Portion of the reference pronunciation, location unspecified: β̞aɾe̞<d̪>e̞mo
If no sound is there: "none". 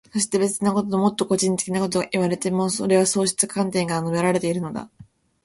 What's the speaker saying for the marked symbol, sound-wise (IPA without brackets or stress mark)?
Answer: t̪